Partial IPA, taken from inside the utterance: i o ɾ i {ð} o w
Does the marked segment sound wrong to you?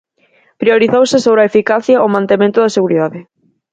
yes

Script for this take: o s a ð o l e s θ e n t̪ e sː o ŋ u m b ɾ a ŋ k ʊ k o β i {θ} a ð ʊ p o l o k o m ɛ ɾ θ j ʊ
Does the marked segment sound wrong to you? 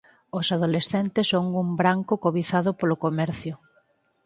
no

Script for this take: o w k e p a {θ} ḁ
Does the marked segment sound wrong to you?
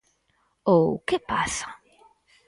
yes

